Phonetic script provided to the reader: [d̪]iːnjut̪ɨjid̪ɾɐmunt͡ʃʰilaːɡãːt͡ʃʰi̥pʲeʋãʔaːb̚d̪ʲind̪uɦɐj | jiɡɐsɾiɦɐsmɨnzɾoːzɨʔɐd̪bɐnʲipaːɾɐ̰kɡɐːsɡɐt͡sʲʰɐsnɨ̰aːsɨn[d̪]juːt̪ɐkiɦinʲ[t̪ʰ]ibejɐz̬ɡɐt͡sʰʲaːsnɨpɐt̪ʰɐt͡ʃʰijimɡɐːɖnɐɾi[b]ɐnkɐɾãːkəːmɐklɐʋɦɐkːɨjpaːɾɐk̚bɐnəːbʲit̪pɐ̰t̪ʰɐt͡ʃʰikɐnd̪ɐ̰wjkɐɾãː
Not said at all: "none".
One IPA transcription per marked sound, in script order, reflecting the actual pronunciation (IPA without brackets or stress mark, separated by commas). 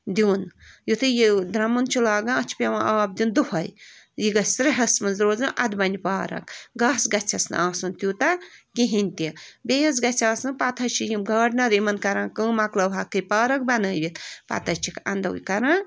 d̪, t̪, t̪, m